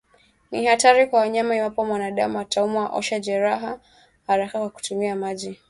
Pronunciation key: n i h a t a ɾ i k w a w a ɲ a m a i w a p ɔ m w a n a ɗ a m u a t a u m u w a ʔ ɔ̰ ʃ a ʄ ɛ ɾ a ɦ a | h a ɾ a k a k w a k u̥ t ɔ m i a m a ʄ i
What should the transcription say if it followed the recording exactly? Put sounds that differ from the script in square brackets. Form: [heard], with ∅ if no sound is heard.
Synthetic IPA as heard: n i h a t a ɾ i k w a w a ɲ a m a i w a p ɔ m w a n a ɗ a m u a t a u m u w a ʔ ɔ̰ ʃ a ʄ ɛ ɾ a ɦ a | h a ɾ a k a k w a k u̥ t [u] m i a m a ʄ i

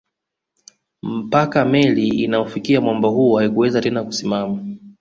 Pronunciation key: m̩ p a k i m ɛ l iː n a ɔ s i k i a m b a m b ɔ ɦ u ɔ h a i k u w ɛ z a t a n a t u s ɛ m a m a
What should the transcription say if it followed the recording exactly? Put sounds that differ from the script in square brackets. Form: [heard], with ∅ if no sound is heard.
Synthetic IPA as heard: m̩ p a k [a] m ɛ l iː n a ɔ [f] i k i a m [w] a m b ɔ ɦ u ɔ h a i k u w ɛ z a t [ɛ] n a [k] u s [i] m a m a

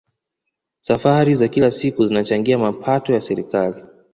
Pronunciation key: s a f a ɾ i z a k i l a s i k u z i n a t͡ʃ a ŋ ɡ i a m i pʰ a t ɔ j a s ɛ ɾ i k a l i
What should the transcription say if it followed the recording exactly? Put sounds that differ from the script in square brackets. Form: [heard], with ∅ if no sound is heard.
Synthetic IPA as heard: s a f a ɾ i z a k i l a s i k u z i n a t͡ʃ a ŋ ɡ i a m [a] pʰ a t ɔ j a s ɛ ɾ i k a l i

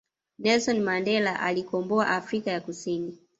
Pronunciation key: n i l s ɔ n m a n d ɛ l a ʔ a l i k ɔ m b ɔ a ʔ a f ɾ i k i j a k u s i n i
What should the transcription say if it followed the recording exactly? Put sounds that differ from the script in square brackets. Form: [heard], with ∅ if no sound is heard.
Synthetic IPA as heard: n [ɛ] l s ɔ n m a n d ɛ l a ʔ a l i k ɔ m b ɔ a ʔ a f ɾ i k [a] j a k u s i n i

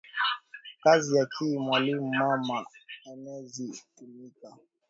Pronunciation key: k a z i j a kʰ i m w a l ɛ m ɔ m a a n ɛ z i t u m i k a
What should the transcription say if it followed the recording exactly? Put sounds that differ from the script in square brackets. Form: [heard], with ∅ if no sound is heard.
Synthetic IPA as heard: k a z i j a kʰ i m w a l [i] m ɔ m a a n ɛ z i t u m i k a

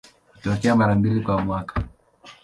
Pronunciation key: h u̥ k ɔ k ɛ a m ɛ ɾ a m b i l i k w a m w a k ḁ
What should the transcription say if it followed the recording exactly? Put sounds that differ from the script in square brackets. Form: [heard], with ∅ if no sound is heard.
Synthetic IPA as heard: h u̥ [t] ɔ k ɛ a m [a] ɾ a m b i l i k w a m w a k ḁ

